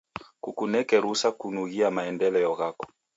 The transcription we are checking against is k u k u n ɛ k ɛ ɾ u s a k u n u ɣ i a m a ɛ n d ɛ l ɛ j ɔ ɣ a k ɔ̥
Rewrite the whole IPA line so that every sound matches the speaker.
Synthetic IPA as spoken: k u k u n ɛ k ɛ ɾ u s a k u n u ɣ i a m a ɛ n d ɛ l ɛ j ɔ ɣ a k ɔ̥